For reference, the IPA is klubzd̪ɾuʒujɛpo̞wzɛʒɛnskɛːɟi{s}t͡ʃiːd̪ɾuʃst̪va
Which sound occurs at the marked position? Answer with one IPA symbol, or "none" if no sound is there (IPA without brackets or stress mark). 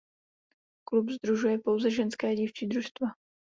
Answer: f